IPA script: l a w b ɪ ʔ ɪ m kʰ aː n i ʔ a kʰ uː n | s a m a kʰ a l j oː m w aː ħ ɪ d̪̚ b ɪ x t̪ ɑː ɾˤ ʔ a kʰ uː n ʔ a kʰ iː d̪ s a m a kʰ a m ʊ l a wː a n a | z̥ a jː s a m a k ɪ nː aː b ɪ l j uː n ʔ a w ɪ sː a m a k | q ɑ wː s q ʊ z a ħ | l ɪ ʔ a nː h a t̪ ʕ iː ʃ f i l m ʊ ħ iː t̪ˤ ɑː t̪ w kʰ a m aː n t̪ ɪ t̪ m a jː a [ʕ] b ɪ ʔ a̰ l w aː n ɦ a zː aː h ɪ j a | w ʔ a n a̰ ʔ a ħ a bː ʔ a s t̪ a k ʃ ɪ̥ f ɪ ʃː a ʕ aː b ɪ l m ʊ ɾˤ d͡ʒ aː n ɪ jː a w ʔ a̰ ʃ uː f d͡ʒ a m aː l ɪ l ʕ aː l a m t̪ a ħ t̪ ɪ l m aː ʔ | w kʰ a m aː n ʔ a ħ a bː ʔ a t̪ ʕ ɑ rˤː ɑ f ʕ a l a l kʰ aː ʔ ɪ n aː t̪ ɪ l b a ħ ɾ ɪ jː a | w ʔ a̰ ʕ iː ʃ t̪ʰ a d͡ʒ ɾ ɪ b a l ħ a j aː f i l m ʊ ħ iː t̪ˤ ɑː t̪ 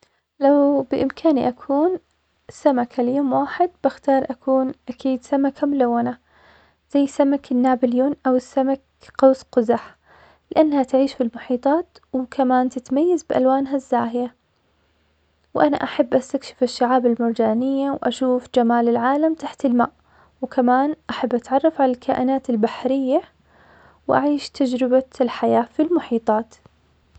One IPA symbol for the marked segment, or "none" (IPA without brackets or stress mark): z